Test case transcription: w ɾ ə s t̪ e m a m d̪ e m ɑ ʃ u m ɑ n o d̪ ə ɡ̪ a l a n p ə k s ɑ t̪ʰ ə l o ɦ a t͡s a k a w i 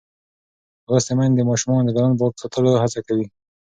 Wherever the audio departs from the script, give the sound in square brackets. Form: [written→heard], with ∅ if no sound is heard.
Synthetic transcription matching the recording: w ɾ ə s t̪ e m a [m→n] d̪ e m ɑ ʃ u m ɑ n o d̪ ə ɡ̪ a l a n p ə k s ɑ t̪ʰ ə l o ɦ a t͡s a k a w i